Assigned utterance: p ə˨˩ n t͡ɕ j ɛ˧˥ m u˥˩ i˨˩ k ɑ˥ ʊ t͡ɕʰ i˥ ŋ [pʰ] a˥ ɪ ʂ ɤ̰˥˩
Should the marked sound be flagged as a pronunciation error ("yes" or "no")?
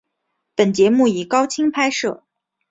no